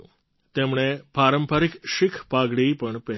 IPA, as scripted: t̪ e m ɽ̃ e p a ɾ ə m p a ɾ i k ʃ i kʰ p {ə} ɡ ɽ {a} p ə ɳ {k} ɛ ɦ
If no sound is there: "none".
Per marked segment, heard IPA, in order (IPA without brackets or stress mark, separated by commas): a, i, p